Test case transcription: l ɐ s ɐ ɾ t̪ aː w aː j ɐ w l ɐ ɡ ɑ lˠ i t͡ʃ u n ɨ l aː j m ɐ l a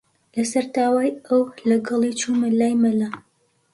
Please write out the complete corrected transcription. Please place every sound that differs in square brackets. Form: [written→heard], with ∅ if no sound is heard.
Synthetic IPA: l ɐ s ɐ ɾ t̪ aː w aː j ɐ w l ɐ ɡ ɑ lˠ i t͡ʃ u [n→m] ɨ l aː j m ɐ l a